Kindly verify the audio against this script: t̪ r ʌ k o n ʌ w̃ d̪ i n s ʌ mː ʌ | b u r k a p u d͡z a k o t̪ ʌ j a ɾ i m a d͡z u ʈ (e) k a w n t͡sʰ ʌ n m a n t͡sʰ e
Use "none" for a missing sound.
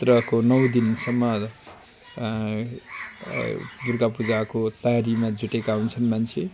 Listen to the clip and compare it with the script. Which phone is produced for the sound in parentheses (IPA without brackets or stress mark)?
e